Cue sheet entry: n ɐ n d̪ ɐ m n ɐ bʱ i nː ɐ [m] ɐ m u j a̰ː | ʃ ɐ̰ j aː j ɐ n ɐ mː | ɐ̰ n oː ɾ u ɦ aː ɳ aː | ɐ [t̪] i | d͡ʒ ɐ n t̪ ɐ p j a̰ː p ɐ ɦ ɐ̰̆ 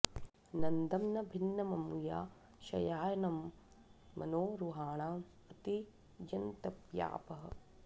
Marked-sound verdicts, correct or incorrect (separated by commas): correct, correct